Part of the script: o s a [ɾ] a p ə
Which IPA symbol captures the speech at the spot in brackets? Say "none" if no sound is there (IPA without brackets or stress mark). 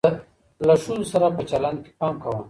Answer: ɾ